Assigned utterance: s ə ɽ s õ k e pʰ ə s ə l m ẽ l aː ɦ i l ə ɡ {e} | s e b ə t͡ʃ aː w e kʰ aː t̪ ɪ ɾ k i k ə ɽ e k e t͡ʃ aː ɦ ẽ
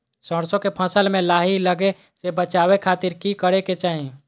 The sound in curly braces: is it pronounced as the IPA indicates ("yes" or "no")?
yes